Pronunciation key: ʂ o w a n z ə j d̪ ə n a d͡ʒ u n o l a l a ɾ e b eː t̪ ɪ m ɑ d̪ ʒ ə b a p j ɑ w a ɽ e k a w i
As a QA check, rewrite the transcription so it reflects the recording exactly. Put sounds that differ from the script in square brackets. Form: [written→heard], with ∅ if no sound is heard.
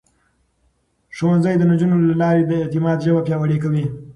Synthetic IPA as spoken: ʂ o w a n z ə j d̪ ə n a d͡ʒ u n o l a l [a→ɑ] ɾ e b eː t̪ ɪ m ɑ d̪ ʒ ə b a p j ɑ w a ɽ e k a w i